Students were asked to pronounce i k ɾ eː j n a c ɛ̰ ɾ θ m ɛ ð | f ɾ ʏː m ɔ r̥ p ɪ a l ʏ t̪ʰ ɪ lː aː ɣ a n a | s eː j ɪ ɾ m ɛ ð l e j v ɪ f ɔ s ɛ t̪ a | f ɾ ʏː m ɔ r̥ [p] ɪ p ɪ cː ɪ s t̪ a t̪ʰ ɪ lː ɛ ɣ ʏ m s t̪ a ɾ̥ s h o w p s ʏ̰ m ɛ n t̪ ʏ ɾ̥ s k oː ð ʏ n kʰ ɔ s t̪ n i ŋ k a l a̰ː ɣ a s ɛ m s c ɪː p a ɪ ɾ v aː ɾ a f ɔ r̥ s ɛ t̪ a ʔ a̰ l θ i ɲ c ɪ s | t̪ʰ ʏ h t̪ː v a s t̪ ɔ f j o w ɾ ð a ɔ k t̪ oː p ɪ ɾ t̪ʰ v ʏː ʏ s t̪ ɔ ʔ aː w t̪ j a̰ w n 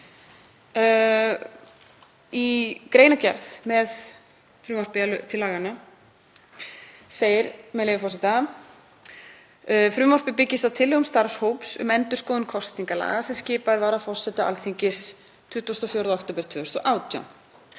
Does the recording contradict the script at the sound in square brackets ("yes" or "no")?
no